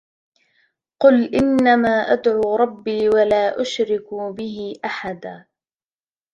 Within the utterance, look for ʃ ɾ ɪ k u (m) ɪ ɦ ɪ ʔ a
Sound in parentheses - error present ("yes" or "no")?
yes